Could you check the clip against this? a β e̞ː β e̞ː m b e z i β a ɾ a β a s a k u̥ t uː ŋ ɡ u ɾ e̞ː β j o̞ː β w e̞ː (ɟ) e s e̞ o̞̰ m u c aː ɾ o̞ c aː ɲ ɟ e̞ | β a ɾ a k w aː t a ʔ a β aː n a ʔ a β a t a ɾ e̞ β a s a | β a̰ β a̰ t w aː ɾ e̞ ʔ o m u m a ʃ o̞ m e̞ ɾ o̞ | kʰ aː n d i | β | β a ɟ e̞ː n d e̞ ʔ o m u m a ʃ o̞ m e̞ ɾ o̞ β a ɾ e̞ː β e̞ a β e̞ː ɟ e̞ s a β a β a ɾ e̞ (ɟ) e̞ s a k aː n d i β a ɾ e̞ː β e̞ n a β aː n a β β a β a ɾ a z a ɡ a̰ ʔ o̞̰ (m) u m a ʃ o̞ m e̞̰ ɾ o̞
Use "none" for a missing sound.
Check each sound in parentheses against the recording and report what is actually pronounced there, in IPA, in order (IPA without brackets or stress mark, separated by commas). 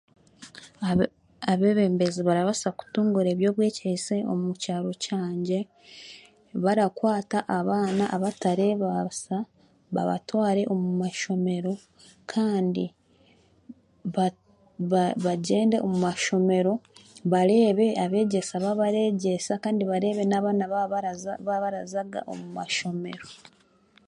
c, ɟ, m